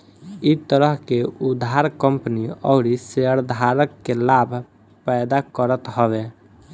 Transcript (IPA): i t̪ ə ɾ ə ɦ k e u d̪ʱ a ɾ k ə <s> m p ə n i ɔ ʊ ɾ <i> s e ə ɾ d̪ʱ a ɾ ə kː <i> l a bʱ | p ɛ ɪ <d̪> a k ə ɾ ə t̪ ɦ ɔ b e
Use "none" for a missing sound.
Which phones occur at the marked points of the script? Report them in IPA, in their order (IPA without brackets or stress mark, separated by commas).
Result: none, i, e, d̪